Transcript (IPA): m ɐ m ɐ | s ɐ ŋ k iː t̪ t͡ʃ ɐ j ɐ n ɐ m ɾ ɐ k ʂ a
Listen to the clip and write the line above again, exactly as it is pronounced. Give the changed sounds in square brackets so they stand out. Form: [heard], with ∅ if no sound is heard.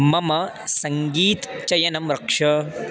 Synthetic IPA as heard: m ɐ m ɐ | s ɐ ŋ [ɡ] iː t̪ t͡ʃ ɐ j ɐ n ɐ m ɾ ɐ k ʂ [ɐ]